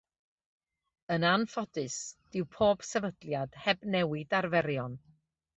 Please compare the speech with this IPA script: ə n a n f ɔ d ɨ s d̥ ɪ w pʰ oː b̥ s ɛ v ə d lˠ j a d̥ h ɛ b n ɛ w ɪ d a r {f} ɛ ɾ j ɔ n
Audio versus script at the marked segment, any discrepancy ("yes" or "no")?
yes